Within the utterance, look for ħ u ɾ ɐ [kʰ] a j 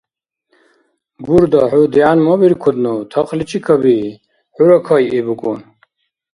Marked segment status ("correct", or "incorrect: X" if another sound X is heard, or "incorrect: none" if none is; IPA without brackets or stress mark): correct